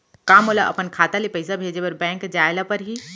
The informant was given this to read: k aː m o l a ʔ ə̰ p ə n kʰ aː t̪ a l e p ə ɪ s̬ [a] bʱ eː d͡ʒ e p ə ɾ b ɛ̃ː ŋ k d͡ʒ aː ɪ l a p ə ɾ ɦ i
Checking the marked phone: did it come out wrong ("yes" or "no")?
no